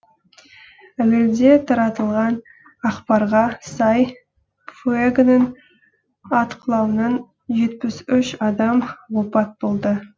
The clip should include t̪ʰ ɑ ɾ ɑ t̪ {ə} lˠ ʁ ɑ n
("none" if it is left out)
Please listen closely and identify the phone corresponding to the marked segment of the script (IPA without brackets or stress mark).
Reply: ə